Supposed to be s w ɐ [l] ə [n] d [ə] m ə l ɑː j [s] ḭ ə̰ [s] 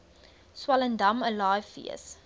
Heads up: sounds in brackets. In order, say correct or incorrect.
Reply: correct, correct, incorrect, incorrect, correct

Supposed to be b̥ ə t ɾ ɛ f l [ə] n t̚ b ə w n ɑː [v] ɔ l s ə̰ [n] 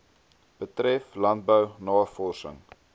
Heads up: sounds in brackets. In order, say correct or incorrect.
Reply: incorrect, incorrect, incorrect

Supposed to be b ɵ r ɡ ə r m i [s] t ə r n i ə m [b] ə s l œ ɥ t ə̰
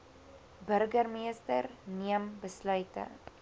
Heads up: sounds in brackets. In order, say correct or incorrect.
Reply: correct, correct

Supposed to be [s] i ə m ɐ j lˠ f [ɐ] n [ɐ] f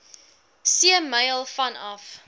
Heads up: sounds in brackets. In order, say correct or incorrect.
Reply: correct, correct, correct

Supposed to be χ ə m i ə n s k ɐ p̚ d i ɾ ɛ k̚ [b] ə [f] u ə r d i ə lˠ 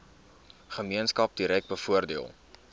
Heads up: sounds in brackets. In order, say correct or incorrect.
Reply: correct, correct

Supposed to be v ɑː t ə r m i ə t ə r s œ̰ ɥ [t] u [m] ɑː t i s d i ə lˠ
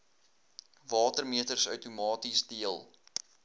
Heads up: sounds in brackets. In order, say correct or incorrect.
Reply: correct, correct

